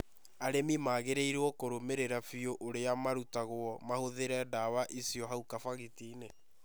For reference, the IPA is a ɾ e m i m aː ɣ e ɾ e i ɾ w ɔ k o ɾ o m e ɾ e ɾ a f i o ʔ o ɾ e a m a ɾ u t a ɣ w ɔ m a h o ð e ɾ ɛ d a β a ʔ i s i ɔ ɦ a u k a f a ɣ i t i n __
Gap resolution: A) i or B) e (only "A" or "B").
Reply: B